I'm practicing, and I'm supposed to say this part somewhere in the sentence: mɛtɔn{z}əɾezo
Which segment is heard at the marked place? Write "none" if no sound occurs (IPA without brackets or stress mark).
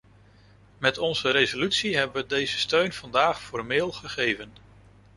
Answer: z